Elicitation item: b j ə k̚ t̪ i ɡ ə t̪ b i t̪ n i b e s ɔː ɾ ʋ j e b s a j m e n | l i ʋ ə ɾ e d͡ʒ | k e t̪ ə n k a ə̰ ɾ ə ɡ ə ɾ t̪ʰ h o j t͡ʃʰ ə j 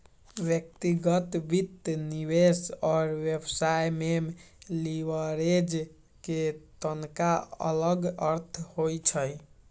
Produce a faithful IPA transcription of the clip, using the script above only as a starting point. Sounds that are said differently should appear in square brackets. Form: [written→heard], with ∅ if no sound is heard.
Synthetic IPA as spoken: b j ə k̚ t̪ i ɡ ə t̪ b i t̪ n i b e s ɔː ɾ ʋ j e b s a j m e [n→m] | l i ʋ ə ɾ e d͡ʒ | k e t̪ ə n k a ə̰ [ɾ→l] ə ɡ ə ɾ t̪ʰ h o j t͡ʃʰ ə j